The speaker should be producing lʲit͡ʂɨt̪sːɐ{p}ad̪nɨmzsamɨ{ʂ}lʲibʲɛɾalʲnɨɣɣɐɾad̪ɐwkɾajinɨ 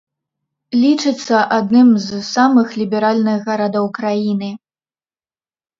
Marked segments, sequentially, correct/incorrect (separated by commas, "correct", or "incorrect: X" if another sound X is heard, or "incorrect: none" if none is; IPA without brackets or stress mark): incorrect: ʔ, incorrect: x